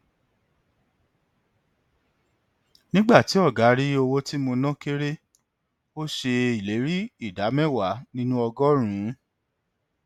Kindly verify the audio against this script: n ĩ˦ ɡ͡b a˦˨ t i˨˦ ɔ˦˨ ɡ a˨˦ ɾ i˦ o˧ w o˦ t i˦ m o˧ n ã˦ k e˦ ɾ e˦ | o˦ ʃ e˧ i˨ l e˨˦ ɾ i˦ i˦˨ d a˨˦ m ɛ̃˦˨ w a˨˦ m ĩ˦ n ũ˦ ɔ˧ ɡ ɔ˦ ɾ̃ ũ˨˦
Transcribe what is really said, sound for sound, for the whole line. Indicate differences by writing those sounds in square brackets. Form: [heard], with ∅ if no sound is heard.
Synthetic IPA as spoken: n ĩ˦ ɡ͡b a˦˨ t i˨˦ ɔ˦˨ ɡ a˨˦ ɾ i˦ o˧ w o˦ t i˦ m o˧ n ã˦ k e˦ ɾ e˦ | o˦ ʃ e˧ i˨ l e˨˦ ɾ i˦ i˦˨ d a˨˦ m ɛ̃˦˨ w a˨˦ [n] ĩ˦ n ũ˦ ɔ˧ ɡ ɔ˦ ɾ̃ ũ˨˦

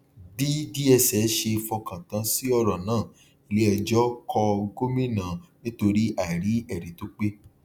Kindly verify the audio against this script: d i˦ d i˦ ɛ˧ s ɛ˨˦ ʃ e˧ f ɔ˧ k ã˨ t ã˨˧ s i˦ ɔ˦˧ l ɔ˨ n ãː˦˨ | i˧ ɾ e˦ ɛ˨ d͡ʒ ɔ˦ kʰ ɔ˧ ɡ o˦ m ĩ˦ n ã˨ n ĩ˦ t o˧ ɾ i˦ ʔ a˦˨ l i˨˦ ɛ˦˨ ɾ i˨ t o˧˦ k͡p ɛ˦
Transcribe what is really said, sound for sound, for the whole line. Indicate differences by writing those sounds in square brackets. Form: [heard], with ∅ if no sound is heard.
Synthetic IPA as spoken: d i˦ d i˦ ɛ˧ s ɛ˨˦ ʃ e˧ f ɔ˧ k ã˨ t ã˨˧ s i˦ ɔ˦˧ [ɾ] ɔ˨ n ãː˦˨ | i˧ [l] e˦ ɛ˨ d͡ʒ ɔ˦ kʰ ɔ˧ ɡ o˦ m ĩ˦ n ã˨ n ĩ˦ t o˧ ɾ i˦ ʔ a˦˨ [ɾ] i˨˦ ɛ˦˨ ɾ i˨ t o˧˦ k͡p [e˦]

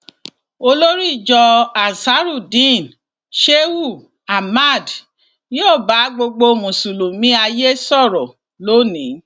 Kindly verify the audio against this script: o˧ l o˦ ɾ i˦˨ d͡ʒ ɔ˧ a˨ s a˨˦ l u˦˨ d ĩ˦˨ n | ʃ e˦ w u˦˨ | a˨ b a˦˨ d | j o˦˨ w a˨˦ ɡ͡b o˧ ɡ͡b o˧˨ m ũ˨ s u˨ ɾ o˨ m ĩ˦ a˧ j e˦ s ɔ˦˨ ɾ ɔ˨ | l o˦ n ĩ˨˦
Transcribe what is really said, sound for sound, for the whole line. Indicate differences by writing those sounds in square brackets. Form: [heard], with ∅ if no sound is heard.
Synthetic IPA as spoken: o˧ l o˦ ɾ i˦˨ d͡ʒ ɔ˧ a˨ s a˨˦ [ɾ] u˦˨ d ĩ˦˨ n | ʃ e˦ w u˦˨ | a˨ [m] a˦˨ d | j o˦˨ [b] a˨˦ ɡ͡b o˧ ɡ͡b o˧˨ m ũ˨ s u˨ [l] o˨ m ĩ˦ a˧ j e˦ s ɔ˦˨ ɾ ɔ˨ | l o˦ n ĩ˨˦

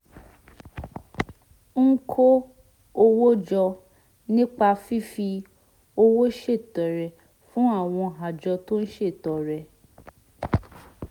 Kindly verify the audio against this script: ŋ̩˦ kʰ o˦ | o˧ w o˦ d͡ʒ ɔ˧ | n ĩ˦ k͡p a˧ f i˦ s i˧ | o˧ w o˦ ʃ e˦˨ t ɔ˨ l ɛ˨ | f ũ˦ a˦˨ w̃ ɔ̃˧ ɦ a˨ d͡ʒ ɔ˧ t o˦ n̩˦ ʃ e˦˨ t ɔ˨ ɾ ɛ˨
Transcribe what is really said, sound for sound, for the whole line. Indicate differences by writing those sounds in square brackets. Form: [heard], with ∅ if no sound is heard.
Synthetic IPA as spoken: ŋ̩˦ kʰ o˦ | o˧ w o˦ d͡ʒ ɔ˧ | n ĩ˦ k͡p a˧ f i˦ [f] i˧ | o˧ w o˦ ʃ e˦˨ t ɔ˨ [ɾ] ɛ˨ | f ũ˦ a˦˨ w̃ ɔ̃˧ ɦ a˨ d͡ʒ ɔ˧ t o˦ n̩˦ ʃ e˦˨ t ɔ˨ ɾ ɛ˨

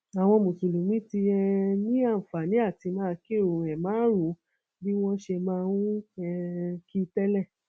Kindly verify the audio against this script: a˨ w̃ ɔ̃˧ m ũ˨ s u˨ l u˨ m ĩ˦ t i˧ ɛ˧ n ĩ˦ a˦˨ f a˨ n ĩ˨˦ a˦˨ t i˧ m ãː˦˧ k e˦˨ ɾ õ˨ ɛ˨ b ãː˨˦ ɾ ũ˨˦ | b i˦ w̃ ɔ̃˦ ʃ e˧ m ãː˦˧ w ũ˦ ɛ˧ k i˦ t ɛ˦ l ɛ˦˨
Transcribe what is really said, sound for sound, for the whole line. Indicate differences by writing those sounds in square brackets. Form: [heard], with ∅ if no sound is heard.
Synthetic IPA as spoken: a˨ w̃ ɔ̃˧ m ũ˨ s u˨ l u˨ m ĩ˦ t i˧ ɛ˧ n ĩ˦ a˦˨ f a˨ n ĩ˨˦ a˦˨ t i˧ m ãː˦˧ k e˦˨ ɾ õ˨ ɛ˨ [m] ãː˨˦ ɾ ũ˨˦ | b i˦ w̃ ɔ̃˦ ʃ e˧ m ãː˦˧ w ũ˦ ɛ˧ k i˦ t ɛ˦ l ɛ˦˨

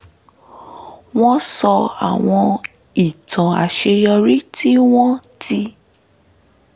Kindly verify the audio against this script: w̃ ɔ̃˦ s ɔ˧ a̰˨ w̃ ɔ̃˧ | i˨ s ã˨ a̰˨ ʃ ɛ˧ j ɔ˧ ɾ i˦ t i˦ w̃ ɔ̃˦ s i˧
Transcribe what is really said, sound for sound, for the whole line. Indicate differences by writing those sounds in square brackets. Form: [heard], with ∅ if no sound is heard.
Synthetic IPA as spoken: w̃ ɔ̃˦ s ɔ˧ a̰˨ w̃ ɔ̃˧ | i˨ [t] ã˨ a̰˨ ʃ [e˧] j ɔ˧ ɾ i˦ t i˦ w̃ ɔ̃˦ [t] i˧

